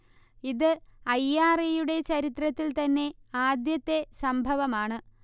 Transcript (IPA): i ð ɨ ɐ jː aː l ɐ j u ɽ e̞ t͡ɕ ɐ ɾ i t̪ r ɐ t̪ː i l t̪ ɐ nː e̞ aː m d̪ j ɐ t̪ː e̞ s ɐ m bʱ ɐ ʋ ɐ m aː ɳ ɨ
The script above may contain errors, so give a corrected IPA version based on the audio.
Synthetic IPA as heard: i ð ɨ ɐ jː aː r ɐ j u ɽ e̞ t͡ɕ ɐ ɾ i t̪ r ɐ t̪ː i l t̪ ɐ nː e̞ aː d̪ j ɐ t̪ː e̞ s ɐ m bʱ ɐ ʋ ɐ m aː ɳ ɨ